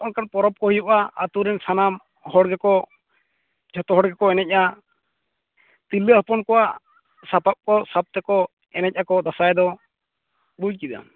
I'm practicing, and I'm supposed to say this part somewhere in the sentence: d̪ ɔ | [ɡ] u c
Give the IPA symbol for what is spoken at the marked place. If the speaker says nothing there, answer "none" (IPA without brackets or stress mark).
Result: b